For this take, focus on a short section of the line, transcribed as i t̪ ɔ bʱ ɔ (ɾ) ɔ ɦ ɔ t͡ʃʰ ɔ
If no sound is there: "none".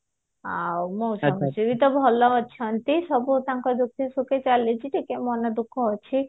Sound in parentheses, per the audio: l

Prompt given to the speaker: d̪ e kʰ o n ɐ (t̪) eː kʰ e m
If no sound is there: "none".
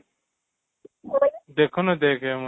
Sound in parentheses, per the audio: d̪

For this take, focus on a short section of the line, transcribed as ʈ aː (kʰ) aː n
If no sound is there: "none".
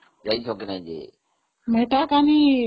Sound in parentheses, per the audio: k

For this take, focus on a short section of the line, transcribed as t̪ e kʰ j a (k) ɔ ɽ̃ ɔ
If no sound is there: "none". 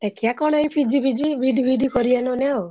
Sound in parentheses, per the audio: k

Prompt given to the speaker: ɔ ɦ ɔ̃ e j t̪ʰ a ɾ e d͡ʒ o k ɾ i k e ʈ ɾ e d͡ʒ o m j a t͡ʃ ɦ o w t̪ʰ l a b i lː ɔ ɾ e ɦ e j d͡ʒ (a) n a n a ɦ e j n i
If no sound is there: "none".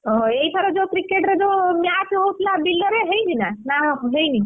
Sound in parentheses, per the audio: i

